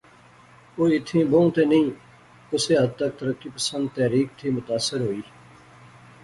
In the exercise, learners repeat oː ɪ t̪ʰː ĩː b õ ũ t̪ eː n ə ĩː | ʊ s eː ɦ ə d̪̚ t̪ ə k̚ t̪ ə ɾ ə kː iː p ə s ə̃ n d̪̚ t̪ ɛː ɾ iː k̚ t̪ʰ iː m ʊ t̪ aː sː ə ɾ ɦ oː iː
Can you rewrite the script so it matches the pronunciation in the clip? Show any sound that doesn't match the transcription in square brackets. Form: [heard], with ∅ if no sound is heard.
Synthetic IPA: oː ɪ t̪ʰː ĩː b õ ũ t̪ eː n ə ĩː | ʊ s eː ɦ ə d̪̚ t̪ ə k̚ t̪ ə ɾ ə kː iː p ə s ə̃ n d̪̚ t̪ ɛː ɾ iː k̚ t̪ʰ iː m ʊ t̪ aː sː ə ɾ ɦ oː iː